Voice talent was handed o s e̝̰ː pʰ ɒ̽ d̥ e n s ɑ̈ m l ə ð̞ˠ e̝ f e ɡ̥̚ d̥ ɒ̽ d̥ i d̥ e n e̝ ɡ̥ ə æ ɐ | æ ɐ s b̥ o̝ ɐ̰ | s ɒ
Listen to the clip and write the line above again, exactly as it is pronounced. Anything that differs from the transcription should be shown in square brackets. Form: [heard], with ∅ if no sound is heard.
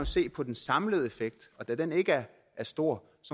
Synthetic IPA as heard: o s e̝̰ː pʰ ɒ̽ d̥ e n s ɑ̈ m l ə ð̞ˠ e̝ f e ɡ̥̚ d̥ ɒ̽ d̥ [æ] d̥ e n e̝ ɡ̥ ə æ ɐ | æ ɐ s [d̥] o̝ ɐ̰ | s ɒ

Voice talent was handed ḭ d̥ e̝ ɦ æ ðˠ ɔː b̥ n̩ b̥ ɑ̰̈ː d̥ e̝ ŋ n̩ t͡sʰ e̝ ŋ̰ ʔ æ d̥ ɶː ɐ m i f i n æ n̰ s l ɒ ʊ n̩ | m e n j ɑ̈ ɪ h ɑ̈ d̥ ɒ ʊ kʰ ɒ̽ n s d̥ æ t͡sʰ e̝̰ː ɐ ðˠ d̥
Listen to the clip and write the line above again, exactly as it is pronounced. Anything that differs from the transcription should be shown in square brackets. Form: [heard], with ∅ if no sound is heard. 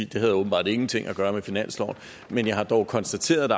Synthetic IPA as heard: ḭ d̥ e̝ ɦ æ ðˠ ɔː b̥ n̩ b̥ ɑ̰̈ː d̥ e̝ ŋ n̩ t͡sʰ e̝ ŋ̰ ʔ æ [ɡ̥] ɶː ɐ m [e] f i n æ n̰ s l ɒ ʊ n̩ | m e n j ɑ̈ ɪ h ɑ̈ d̥ ɒ ʊ kʰ ɒ̽ n s d̥ æ t͡sʰ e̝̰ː ɐ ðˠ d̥

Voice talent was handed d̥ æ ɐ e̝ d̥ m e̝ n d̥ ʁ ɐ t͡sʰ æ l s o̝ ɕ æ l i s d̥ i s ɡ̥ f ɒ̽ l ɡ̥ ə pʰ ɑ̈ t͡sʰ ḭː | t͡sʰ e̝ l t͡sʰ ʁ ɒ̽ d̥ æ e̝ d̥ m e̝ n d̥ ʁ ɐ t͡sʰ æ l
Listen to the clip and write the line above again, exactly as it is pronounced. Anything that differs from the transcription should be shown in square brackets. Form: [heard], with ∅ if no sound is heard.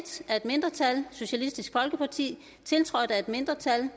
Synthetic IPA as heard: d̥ æ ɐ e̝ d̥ m e̝ n d̥ ʁ ɐ t͡sʰ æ l s o̝ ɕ æ l i s d̥ i s ɡ̥ f ɒ̽ l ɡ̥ ə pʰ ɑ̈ t͡sʰ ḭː | t͡sʰ e̝ l t͡sʰ ʁ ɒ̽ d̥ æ e̝ d̥ m e̝ n d̥ ʁ ɐ t͡sʰ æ l

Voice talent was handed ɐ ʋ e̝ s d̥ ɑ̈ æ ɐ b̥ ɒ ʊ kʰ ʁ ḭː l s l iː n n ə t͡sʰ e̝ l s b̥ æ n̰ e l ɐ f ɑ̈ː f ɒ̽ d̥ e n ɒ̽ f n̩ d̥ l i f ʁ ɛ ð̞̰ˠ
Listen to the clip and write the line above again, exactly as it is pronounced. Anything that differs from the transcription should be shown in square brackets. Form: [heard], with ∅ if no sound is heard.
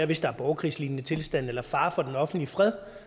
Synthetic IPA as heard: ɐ ʋ e̝ s d̥ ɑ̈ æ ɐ b̥ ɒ ʊ kʰ ʁ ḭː [∅] s l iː n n ə t͡sʰ e̝ l s [d̥] æ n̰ e l ɐ f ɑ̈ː f ɒ̽ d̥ e n ɒ̽ f n̩ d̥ l i f ʁ ɛ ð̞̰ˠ

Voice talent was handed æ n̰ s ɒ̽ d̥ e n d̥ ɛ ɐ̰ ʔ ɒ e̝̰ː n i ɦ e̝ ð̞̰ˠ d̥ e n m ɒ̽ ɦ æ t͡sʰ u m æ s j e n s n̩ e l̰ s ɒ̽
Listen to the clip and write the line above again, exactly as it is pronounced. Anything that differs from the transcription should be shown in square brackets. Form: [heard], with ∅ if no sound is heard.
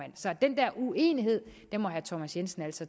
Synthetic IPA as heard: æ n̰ s ɒ̽ d̥ e n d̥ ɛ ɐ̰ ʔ [u] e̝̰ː n i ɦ e̝ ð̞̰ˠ d̥ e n m ɒ̽ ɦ æ t͡sʰ [ɒ] m æ s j e n s n̩ [æ] l̰ s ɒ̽

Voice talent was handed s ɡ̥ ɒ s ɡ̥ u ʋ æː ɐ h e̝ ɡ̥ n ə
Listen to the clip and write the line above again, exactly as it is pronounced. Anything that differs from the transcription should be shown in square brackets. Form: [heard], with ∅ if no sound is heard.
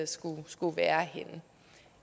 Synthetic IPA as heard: s ɡ̥ [u] s ɡ̥ u ʋ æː ɐ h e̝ [∅] n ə

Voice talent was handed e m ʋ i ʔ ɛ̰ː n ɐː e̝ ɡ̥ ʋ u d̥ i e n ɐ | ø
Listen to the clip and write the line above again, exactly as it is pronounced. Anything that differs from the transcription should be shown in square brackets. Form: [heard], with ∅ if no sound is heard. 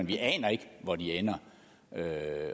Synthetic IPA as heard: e [n] ʋ i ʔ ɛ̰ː n [ɐ] e̝ ɡ̥ ʋ [ɒ] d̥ i e n ɐ | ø

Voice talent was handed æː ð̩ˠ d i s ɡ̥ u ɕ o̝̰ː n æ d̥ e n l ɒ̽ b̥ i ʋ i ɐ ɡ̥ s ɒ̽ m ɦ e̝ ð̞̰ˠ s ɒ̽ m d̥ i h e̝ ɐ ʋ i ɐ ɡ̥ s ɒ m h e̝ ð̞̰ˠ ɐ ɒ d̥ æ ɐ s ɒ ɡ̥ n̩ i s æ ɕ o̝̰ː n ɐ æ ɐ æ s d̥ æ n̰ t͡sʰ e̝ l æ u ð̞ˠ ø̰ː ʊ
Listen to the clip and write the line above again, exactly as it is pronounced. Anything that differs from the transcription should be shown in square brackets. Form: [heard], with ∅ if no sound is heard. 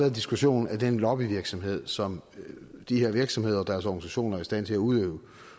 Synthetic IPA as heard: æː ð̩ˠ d i s ɡ̥ u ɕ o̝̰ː n æ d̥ e n l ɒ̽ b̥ i ʋ i ɐ ɡ̥ s ɒ̽ m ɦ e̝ ð̞̰ˠ s ɒ̽ m d̥ i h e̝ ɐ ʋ i ɐ ɡ̥ s ɒ m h e̝ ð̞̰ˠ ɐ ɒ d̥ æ ɐ s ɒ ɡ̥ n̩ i s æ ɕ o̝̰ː n ɐ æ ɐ [i] s d̥ æ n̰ t͡sʰ e̝ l æ u ð̞ˠ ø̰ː ʊ

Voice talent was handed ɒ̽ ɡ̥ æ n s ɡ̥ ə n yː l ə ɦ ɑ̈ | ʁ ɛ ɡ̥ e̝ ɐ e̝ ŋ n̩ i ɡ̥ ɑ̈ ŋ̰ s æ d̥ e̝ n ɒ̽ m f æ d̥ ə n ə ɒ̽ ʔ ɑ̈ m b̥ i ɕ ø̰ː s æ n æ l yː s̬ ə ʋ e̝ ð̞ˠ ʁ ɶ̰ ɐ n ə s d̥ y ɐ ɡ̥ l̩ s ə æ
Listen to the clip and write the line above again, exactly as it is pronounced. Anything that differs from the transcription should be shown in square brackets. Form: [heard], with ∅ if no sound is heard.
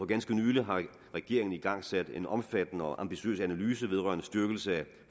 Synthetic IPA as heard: ɒ̽ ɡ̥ æ n s ɡ̥ ə n yː l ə ɦ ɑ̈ | ʁ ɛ ɡ̥ e̝ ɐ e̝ ŋ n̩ i ɡ̥ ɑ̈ ŋ̰ s æ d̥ e̝ n ɒ̽ m f æ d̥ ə n ə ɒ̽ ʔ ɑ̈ m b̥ i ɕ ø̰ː s æ n æ l yː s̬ ə ʋ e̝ ð̞ˠ ʁ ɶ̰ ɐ n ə s d̥ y ɐ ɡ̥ l̩ s ə æ

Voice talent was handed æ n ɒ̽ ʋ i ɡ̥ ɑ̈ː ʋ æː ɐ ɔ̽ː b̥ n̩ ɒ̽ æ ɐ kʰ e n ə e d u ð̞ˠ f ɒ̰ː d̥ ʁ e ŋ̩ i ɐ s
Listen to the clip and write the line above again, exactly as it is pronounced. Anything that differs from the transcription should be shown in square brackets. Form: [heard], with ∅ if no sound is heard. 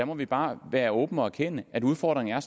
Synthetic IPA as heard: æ [m] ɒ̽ ʋ i [b̥] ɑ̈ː ʋ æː ɐ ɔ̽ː b̥ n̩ ɒ̽ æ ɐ kʰ e n ə [æ] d u ð̞ˠ f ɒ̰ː d̥ ʁ e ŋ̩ [æ] ɐ s

